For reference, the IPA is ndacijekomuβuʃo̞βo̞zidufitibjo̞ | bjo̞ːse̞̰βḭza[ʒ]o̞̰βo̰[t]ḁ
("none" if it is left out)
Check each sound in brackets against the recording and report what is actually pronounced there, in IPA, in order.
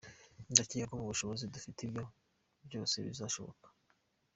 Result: ʃ, k

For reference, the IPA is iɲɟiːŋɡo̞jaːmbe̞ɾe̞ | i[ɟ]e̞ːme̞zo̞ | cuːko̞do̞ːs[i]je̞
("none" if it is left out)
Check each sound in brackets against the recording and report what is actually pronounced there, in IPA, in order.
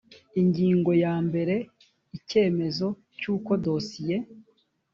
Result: c, i

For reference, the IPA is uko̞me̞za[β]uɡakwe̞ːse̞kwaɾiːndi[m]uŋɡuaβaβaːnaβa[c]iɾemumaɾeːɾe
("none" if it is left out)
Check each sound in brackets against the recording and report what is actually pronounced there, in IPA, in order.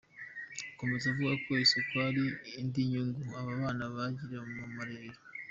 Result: v, ɲ, ɟ

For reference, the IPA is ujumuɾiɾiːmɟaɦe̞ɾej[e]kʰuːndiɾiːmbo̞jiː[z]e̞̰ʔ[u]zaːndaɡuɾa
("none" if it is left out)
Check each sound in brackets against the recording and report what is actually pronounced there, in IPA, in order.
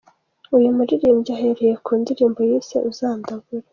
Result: e, s, u

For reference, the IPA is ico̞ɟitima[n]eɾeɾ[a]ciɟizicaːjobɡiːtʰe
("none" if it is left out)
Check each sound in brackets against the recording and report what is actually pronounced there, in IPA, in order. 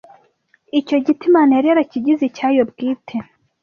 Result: n, a

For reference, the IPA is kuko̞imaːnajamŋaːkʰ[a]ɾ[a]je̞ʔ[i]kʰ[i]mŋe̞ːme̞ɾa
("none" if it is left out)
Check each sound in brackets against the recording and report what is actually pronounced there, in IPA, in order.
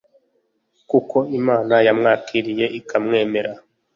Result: i, i, i, a

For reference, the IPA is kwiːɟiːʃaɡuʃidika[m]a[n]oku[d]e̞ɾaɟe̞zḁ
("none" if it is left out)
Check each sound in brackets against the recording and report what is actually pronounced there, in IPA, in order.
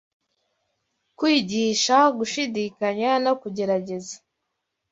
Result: ɲ, n, ɟ

